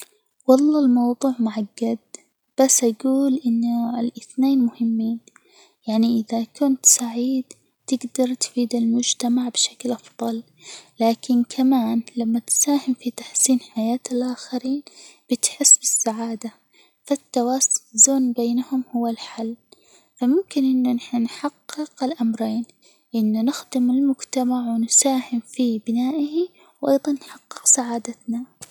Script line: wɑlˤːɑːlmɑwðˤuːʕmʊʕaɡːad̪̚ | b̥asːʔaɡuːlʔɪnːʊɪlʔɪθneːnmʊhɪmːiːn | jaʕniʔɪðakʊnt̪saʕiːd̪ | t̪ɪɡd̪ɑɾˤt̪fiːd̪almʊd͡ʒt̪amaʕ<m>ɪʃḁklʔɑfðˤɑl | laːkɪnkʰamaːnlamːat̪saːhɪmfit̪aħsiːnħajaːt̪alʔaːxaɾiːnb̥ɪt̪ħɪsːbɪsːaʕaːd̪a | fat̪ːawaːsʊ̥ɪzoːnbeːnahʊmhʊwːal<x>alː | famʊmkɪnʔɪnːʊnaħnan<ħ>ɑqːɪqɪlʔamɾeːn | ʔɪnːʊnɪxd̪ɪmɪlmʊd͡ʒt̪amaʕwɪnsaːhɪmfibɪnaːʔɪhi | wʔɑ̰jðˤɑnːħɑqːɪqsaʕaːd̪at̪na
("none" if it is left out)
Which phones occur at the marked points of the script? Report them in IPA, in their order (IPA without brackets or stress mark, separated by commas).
b, ħ, ħ